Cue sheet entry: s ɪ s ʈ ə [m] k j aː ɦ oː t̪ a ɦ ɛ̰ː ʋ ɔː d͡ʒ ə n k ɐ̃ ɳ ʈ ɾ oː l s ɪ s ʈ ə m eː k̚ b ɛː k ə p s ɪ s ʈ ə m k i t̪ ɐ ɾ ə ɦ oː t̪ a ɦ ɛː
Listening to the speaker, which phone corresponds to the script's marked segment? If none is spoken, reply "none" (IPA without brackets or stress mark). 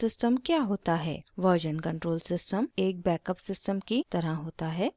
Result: m